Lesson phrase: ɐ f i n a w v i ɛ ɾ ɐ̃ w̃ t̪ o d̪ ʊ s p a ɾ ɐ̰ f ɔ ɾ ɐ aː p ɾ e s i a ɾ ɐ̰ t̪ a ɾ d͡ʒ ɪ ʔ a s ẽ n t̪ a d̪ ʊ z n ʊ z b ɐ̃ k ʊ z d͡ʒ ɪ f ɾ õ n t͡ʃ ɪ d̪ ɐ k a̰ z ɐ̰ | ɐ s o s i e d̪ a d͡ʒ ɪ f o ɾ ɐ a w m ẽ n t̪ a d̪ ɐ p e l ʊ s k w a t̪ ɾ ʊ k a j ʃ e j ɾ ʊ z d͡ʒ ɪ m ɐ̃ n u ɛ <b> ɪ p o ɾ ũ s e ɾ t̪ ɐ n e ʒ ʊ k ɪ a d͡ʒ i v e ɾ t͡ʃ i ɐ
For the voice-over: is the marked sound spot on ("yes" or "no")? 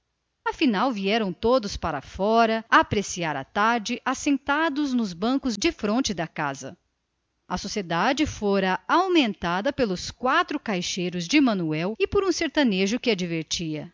no